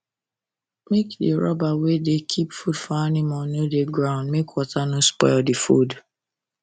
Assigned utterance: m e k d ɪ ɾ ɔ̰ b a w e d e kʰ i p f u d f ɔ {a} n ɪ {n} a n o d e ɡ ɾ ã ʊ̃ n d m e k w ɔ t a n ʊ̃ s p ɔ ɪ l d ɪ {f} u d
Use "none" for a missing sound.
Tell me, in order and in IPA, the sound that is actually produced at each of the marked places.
a, m, f

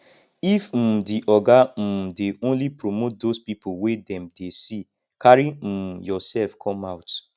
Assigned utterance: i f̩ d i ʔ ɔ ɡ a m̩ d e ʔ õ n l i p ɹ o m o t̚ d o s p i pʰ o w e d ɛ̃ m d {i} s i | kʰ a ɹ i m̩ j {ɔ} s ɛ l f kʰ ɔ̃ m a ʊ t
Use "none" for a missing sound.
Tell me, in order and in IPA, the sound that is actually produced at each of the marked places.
e, ɔ

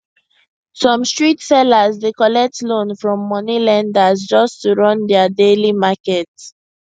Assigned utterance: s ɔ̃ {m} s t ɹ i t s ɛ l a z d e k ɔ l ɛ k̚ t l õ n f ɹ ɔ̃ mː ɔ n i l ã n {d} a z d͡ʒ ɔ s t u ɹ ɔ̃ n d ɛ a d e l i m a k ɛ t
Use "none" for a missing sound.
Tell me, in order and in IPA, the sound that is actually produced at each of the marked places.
m, d

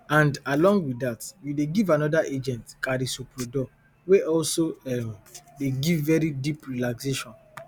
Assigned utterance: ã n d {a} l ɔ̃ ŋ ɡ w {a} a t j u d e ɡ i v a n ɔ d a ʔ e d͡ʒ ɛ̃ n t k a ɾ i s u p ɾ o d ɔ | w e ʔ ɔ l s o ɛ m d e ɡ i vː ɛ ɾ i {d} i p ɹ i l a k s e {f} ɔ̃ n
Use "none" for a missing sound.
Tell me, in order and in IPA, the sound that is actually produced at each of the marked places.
a, i, d, ʃ

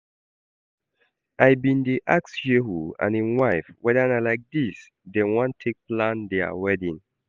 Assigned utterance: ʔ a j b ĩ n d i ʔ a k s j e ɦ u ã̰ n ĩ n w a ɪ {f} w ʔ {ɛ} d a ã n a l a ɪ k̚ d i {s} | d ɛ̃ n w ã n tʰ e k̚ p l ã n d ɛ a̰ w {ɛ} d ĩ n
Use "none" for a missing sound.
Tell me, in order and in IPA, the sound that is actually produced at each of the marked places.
f, ɛ, s, ɛ

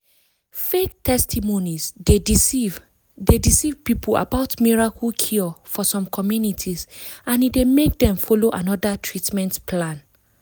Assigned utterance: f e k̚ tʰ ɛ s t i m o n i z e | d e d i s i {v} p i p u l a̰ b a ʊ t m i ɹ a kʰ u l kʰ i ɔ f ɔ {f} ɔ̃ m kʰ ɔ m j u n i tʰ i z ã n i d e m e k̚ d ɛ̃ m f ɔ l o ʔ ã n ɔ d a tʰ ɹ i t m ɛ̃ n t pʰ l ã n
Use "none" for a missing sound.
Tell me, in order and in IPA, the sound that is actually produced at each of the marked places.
v, s

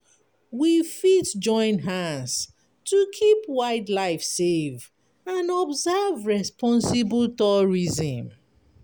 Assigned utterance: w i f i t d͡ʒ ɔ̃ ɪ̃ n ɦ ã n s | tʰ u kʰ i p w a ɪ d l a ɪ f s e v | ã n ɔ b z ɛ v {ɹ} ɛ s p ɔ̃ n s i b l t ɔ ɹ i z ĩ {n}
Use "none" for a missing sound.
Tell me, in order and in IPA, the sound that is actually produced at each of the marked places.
ɹ, m

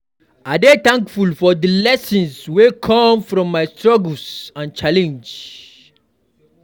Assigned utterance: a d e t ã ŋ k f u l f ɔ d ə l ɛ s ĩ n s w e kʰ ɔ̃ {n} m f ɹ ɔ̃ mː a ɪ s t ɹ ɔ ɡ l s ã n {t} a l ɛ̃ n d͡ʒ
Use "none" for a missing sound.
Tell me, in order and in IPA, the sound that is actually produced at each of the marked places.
none, t͡ʃ

